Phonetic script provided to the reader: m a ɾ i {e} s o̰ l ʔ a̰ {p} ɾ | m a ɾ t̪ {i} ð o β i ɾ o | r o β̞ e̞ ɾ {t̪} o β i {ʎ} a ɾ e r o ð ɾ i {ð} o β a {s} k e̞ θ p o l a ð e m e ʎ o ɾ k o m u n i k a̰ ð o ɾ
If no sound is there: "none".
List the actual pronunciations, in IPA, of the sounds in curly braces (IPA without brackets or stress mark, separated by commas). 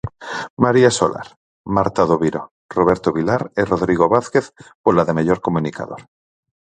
a, none, a, t̪, l, ɣ, θ